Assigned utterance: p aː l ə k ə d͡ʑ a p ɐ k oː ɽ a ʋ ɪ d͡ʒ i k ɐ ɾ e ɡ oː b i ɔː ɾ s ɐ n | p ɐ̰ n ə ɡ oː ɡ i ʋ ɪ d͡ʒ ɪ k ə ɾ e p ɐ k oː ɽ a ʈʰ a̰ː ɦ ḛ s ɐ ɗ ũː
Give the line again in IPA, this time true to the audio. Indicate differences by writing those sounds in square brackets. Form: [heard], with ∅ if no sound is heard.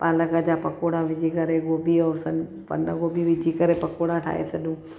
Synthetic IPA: p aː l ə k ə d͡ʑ a p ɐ k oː ɽ a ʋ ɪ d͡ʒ i k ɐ ɾ e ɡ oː b i ɔː ɾ s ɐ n | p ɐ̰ n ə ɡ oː [b] i ʋ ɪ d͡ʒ [i] k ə ɾ e p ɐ k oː ɽ a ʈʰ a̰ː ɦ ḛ s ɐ ɗ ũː